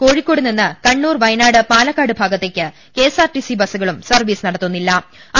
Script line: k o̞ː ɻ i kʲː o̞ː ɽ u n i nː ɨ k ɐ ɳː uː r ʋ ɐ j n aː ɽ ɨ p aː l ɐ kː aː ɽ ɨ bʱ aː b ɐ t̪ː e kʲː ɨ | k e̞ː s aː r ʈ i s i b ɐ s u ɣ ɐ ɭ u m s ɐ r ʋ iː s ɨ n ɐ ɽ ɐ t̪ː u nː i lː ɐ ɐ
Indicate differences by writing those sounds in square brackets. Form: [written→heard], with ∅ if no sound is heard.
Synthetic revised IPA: k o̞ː ɻ i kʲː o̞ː ɽ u n i nː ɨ k ɐ ɳː uː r ʋ ɐ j n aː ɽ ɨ p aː l ɐ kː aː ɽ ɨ bʱ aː [b→ɡ] ɐ t̪ː e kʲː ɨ | k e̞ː s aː r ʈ i s i b ɐ s u ɣ ɐ ɭ u m s ɐ r ʋ iː s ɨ n ɐ ɽ ɐ t̪ː u nː i lː ɐ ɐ